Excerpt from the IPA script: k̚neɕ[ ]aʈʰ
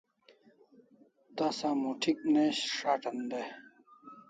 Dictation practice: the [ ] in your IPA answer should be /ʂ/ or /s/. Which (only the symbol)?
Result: ʂ